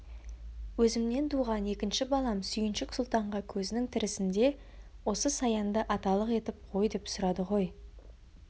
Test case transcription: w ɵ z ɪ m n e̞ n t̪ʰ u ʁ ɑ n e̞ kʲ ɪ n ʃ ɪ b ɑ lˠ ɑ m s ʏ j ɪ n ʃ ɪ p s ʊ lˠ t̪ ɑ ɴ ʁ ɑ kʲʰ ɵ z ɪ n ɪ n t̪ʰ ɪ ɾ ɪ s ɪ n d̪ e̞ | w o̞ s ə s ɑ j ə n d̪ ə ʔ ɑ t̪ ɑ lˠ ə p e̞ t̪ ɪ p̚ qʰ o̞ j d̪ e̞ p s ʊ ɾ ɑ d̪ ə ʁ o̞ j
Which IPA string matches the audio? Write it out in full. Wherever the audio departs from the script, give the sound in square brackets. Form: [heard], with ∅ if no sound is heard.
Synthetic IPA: w ɵ z ɪ m n e̞ n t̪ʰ u ʁ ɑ n e̞ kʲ ɪ n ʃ ɪ b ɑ lˠ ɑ m s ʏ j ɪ n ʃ ɪ [k] s ʊ lˠ t̪ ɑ ɴ ʁ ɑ kʲʰ ɵ z ɪ n ɪ [ŋ] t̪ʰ ɪ ɾ ɪ s ɪ n d̪ e̞ | w o̞ s ə s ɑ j [ɑ] n d̪ ə ʔ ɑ t̪ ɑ lˠ ə [q] e̞ t̪ ɪ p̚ qʰ o̞ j d̪ e̞ p s ʊ ɾ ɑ d̪ ə ʁ o̞ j